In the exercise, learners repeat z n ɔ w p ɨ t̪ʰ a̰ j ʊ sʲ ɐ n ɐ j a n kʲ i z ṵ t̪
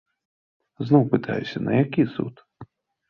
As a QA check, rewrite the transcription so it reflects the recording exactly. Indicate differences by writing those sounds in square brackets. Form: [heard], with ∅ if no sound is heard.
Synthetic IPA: z n ɔ w p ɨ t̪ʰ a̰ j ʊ sʲ ɐ n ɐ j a [∅] kʲ i [s] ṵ t̪